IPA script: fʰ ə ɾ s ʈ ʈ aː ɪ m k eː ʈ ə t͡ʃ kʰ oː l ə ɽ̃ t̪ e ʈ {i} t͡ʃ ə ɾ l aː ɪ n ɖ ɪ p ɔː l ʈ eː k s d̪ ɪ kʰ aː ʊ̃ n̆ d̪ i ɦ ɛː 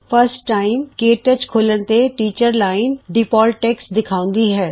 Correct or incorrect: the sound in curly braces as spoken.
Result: incorrect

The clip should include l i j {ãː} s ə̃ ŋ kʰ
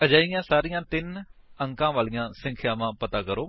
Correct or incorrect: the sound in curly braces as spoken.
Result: correct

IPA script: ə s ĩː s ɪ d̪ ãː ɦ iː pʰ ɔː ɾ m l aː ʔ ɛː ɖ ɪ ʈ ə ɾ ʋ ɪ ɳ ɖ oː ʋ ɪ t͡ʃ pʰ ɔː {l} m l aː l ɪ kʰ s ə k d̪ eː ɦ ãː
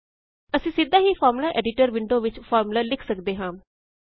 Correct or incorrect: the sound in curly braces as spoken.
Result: incorrect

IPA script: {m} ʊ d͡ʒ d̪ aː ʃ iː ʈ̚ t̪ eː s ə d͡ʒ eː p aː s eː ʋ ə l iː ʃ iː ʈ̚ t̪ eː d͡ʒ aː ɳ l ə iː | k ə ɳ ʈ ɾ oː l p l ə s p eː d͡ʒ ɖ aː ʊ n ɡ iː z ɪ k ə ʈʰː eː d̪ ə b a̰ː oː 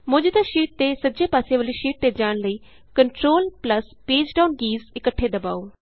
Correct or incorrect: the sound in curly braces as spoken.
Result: correct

